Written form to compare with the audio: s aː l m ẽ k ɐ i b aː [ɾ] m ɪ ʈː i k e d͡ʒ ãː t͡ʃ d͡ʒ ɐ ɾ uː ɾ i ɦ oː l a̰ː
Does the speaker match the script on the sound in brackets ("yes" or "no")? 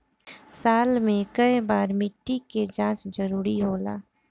yes